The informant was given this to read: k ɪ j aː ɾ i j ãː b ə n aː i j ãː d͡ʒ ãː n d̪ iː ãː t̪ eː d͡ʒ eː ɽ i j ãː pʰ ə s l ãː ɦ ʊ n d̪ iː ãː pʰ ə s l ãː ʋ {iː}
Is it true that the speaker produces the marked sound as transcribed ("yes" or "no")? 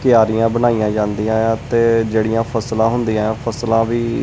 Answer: yes